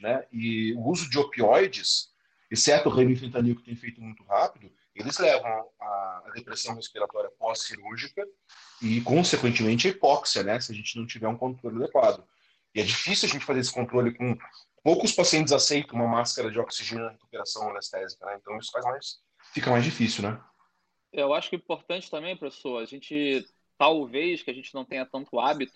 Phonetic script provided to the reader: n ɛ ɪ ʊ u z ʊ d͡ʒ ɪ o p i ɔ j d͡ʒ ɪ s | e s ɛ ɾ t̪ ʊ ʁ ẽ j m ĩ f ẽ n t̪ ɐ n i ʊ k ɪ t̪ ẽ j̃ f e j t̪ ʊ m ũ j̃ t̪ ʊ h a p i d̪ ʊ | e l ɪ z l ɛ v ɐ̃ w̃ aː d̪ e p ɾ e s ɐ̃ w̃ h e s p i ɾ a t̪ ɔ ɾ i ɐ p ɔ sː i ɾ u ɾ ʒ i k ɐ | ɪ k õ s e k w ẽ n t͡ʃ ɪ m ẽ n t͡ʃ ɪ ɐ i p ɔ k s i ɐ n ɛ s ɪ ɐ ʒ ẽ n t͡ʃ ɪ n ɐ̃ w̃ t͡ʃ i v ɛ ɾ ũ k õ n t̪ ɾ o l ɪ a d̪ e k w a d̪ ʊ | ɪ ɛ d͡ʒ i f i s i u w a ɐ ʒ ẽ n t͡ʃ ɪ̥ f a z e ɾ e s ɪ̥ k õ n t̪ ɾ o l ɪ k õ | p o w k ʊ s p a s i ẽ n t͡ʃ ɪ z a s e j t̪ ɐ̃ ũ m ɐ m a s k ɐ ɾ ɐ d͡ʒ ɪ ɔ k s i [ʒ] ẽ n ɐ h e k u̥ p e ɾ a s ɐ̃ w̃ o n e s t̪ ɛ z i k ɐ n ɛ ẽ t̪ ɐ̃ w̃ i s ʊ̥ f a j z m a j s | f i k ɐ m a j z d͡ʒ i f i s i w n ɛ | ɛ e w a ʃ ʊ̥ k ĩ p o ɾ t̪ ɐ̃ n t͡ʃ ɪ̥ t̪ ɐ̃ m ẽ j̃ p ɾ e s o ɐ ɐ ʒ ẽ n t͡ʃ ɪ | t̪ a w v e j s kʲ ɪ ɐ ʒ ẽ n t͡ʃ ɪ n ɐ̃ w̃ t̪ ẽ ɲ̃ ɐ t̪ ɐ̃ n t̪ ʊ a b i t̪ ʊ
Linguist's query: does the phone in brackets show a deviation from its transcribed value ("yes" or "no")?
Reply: no